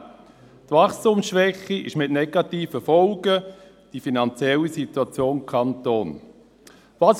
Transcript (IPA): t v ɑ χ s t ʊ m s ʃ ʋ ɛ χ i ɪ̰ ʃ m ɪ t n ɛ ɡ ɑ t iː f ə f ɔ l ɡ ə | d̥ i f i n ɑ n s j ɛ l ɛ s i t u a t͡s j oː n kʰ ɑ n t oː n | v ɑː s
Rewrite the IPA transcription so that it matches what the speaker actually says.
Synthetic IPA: t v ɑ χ s t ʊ m s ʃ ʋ ɛ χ i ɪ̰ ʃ m ɪ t n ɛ ɡ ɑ t iː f ə f ɔ l ɡ ə | d̥ i f i n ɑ n t͡s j ɛ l i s i t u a t͡s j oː n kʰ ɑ n t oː n | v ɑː s